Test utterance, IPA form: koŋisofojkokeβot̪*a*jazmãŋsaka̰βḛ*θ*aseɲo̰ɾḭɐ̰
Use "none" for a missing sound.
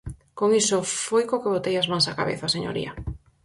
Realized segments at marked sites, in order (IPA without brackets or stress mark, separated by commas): e, θ